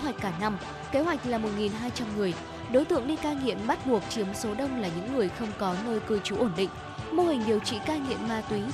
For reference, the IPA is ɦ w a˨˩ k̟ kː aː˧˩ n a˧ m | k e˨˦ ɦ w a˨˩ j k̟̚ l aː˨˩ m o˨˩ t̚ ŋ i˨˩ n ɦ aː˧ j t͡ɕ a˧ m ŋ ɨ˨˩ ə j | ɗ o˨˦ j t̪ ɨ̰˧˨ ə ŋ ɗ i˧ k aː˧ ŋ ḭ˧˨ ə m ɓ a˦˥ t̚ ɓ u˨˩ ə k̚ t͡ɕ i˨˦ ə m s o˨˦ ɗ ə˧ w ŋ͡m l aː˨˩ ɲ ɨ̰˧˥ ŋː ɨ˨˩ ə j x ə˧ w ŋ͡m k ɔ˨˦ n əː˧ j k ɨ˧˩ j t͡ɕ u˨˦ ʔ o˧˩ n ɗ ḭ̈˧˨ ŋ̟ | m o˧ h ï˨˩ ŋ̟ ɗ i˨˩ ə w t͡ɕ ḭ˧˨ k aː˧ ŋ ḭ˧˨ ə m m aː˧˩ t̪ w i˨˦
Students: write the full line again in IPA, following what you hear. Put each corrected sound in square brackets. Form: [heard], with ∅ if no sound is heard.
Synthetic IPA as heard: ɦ w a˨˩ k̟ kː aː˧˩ n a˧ m | k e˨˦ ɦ w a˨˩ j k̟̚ l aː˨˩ m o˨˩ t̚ ŋ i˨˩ n ɦ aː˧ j t͡ɕ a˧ m ŋ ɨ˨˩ ə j | ɗ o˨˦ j t̪ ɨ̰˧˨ ə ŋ ɗ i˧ k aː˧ ŋ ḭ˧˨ ə m ɓ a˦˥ t̚ ɓ u˨˩ ə k̚ t͡ɕ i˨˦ ə m s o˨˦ ɗ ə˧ w ŋ͡m l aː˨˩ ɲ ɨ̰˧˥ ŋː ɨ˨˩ ə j x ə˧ w ŋ͡m k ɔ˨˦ n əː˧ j k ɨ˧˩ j t͡ɕ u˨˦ ʔ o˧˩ n ɗ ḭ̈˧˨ ŋ̟ | m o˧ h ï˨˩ ŋ̟ ɗ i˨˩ ə w t͡ɕ ḭ˧˨ k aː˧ ŋ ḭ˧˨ ə m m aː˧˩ t̪ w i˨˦